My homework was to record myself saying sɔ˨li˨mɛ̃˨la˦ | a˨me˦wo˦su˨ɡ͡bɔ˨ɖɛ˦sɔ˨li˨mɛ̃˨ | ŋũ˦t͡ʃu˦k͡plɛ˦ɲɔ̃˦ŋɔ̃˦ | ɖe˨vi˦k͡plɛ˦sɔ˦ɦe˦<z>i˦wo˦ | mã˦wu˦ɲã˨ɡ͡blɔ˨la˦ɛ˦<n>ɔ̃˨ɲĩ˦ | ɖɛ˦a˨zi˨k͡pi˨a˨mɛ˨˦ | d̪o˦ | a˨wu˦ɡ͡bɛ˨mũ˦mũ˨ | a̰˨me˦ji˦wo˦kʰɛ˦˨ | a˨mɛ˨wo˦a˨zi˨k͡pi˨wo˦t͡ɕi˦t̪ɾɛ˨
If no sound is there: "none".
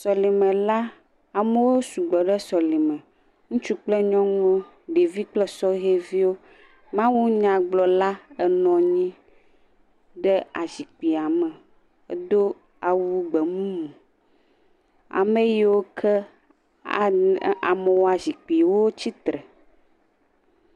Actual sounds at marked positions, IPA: v, n

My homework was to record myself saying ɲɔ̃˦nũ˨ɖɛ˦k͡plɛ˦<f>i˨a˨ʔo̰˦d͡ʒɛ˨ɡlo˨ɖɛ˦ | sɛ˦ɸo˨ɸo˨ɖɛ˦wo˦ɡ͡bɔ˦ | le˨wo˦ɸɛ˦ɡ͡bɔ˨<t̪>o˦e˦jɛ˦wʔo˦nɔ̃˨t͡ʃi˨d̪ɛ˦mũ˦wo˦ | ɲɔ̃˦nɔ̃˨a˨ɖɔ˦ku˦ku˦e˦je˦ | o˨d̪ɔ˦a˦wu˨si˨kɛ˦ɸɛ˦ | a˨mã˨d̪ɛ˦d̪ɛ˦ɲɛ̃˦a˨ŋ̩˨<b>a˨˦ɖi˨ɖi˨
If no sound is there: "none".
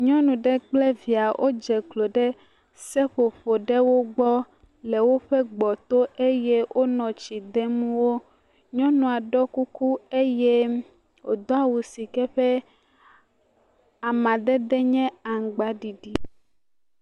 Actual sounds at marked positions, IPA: v, t̪, ɡ͡b

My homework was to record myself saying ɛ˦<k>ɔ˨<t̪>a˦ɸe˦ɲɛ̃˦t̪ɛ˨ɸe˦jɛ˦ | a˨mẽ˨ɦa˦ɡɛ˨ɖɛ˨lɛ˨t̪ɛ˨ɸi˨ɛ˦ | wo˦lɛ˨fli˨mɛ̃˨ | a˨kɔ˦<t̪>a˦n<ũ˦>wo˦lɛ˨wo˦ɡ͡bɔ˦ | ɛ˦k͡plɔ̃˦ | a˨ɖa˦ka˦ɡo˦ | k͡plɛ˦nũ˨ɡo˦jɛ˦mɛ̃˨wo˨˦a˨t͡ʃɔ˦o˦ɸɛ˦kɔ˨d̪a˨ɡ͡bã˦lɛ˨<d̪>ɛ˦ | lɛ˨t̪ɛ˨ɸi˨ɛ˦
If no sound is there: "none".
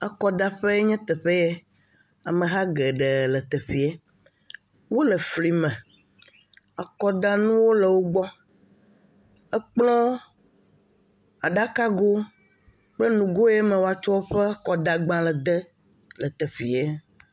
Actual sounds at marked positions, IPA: k, d̪, d̪, ũ˦, d̪

